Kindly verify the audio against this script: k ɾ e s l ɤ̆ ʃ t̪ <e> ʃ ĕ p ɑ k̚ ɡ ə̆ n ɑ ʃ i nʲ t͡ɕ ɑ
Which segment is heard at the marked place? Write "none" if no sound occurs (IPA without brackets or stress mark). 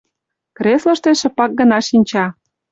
e